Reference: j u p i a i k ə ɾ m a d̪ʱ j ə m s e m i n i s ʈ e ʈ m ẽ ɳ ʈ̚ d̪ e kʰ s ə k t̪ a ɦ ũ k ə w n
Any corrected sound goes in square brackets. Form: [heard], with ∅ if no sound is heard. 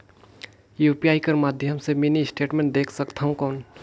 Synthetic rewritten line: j u p i a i k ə ɾ m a d̪ʱ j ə m s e m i n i s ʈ e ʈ m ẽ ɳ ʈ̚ d̪ e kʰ s ə k [t̪ʰ] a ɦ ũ k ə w n